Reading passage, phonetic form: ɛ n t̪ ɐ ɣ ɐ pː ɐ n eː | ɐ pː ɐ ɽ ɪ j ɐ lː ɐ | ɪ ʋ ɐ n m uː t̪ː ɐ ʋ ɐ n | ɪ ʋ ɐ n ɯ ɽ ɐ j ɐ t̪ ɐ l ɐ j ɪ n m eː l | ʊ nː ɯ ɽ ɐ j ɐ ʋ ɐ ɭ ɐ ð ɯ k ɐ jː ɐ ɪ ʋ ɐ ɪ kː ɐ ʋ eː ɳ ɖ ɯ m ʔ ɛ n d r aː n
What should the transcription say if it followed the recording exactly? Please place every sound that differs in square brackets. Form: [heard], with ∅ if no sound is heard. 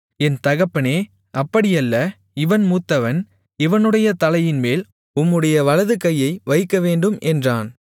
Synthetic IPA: ɛ n t̪ ɐ ɣ ɐ pː ɐ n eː | ɐ pː ɐ ɽ ɪ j ɐ lː ɐ | ɪ ʋ ɐ n m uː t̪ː ɐ ʋ ɐ n | ɪ ʋ ɐ n ɯ ɽ ɐ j ɐ t̪ ɐ l ɐ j ɪ n m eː l | ʊ [mː] ɯ ɽ ɐ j ɐ ʋ ɐ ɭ ɐ ð ɯ k ɐ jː ɐ ɪ ʋ ɐ ɪ kː ɐ ʋ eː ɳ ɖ ɯ m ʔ ɛ n d r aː n